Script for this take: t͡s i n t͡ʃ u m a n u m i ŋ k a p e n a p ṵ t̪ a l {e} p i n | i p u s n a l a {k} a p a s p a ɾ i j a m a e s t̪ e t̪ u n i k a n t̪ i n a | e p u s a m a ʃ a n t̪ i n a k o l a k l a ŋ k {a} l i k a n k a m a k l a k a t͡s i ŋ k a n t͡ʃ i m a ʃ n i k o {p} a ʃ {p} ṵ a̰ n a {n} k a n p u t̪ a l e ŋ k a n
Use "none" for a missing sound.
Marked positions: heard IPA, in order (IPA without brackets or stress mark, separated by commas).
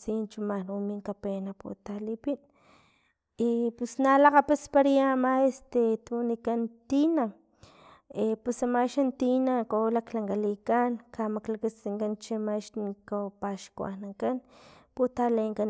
i, q, a, p, k, ŋ